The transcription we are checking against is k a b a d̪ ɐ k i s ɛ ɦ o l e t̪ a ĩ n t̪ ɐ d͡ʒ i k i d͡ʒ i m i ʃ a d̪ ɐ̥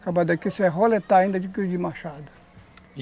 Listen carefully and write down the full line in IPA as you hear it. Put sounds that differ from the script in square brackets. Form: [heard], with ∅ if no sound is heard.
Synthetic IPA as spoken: k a b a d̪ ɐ k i s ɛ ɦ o l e t̪ a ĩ n [d̪] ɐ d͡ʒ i k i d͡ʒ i m [a] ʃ a d̪ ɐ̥